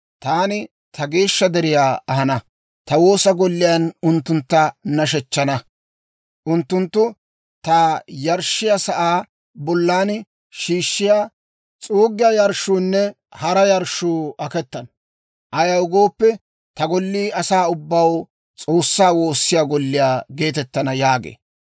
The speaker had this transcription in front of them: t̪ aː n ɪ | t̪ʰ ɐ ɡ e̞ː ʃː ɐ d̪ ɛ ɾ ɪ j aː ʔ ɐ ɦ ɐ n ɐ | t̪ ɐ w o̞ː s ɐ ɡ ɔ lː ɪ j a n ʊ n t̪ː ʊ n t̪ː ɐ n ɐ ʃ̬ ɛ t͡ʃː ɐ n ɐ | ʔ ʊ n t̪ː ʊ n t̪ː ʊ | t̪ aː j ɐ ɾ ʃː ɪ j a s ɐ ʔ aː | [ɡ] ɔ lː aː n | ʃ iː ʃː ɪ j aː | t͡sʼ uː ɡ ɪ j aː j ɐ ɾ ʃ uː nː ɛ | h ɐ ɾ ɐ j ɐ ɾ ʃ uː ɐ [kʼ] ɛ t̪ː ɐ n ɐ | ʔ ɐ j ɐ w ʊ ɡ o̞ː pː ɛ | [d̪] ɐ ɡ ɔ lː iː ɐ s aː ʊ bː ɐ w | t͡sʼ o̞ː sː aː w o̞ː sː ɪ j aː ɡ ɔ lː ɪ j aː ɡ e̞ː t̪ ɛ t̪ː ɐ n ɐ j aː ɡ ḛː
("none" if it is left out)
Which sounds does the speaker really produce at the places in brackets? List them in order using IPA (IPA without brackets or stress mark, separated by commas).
b, k, t̪